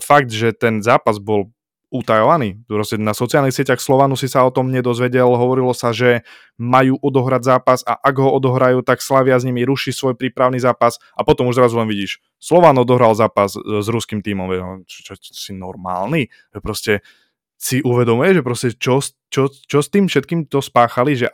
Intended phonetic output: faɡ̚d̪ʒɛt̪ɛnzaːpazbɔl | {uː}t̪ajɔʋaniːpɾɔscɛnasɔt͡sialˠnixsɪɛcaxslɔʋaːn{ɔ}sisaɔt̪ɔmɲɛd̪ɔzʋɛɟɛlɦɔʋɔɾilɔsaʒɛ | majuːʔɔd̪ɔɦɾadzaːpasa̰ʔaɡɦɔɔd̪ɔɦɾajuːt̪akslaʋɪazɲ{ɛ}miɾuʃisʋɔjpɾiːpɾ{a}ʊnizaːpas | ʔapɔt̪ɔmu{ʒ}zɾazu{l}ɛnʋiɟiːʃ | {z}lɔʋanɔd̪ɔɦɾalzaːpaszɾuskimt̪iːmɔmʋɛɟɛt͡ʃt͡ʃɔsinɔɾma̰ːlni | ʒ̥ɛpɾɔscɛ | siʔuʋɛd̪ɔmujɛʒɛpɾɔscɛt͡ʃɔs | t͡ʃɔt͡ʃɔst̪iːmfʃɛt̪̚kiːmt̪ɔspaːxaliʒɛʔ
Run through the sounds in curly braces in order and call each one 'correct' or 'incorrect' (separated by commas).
incorrect, incorrect, incorrect, correct, correct, correct, incorrect